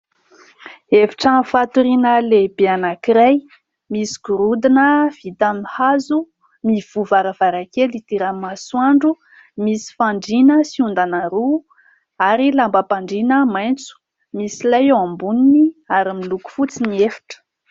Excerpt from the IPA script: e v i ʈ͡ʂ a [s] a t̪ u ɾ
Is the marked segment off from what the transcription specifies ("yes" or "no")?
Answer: yes